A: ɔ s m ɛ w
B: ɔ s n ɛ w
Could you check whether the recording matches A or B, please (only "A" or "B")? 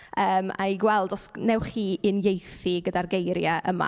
B